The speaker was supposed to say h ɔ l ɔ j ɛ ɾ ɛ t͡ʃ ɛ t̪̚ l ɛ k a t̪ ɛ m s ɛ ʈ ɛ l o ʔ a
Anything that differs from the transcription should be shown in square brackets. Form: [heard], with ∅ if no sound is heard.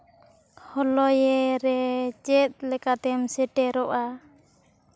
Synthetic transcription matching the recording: h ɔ l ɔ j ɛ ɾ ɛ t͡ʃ ɛ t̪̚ l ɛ k a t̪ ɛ m s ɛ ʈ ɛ [ɾ] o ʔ a